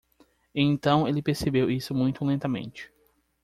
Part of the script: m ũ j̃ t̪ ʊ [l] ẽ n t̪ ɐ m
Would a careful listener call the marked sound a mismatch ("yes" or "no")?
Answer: no